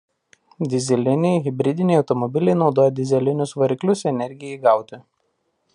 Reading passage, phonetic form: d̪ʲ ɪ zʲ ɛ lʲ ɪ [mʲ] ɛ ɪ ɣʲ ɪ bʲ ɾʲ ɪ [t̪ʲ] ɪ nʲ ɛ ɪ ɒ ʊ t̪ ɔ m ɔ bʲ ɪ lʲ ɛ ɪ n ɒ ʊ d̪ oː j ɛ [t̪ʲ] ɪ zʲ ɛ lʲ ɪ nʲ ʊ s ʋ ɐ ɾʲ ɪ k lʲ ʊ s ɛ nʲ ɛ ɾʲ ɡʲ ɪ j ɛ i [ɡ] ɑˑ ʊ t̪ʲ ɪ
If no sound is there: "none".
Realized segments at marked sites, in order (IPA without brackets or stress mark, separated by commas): nʲ, d̪ʲ, d̪ʲ, ɡ